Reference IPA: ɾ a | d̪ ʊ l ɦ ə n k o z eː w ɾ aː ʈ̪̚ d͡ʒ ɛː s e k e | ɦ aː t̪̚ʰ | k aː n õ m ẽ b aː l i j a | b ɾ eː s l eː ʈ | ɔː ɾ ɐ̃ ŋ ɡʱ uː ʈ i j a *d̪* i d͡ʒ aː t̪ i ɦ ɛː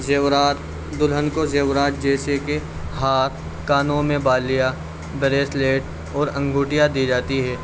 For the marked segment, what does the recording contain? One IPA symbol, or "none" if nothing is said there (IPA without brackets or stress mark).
d̪